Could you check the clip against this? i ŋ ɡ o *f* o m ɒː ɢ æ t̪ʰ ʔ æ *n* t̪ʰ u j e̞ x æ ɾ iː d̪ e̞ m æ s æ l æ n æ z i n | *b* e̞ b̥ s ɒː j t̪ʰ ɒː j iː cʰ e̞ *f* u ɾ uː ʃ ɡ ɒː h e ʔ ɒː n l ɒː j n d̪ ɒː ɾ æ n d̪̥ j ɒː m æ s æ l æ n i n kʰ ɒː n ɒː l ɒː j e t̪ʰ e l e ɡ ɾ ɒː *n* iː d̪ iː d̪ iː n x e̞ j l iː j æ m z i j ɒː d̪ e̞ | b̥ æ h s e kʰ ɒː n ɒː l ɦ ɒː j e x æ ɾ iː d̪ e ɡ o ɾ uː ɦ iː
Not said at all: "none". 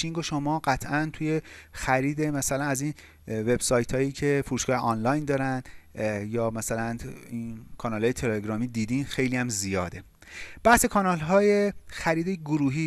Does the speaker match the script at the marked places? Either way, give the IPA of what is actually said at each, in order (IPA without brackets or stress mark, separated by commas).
ʃ, n, v, f, m